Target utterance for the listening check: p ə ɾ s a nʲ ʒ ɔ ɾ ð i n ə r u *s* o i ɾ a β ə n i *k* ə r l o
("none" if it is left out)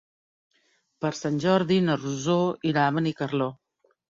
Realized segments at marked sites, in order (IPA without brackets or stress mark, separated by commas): z, k